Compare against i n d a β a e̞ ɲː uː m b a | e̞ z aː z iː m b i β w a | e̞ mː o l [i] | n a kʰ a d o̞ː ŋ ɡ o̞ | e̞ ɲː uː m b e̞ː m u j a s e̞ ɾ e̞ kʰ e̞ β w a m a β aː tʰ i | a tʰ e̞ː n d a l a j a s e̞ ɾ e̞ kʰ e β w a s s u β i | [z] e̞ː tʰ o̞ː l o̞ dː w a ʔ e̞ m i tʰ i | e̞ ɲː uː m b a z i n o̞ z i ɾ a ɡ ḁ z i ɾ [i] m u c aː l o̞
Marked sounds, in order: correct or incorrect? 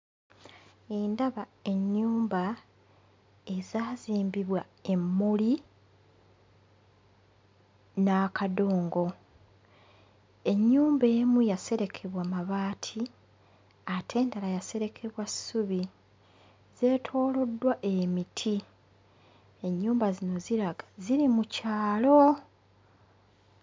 correct, correct, correct

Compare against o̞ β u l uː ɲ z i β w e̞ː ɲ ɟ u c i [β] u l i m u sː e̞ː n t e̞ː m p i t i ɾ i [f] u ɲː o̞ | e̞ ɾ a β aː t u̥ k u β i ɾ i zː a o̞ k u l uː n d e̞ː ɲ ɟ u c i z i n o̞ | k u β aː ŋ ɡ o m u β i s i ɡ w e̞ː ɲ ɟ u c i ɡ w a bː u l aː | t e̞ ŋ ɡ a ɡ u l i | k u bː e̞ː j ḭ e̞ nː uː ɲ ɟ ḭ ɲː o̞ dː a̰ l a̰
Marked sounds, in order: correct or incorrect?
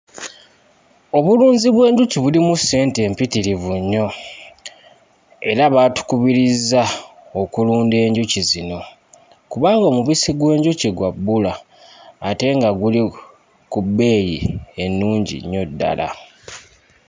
correct, incorrect: v

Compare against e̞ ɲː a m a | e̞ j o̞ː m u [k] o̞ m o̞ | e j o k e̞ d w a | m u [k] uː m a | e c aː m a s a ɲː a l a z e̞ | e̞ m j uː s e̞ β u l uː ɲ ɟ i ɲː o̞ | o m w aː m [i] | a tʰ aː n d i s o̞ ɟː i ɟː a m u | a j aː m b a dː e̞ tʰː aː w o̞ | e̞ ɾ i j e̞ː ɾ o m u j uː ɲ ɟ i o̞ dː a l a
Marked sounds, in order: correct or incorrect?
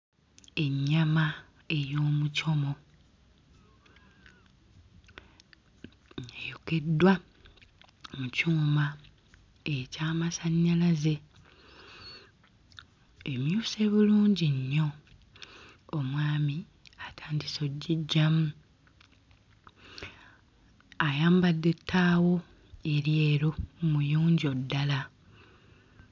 incorrect: c, incorrect: c, correct

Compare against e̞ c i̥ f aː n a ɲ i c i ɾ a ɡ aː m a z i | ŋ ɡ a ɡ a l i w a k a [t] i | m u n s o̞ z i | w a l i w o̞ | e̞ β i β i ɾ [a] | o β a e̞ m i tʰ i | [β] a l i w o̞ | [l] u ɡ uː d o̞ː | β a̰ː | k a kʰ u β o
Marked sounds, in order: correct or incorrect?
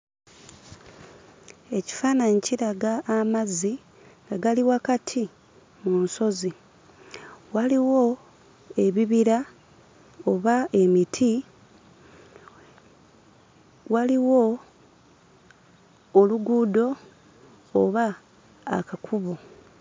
incorrect: tʰ, correct, incorrect: w, correct

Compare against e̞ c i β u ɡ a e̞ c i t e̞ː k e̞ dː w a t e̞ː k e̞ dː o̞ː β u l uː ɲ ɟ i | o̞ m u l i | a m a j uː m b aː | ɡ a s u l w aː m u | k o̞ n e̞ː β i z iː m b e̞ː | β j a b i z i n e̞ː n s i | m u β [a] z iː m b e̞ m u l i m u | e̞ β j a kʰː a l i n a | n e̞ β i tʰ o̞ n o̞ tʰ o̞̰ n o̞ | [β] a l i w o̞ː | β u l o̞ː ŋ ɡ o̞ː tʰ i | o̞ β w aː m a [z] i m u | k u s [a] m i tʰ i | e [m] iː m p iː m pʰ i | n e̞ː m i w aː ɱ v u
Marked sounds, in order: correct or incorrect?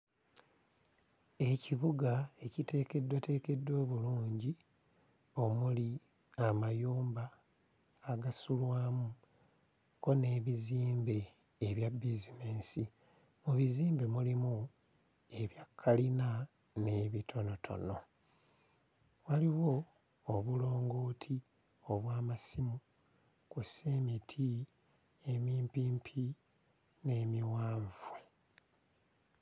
incorrect: i, incorrect: w, incorrect: s, incorrect: e, correct

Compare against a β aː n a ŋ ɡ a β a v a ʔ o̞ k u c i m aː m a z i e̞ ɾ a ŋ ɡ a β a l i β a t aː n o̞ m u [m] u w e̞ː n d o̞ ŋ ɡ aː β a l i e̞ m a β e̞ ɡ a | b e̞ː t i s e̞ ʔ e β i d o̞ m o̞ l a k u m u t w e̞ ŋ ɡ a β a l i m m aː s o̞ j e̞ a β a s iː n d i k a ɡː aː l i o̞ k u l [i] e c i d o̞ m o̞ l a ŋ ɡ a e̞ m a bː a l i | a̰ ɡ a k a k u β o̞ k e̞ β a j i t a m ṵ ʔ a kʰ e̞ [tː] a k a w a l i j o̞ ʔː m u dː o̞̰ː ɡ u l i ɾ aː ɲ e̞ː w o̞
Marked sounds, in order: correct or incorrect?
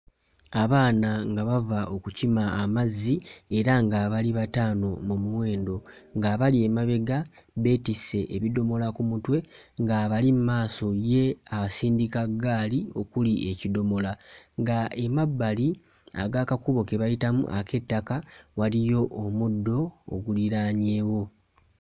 correct, correct, correct

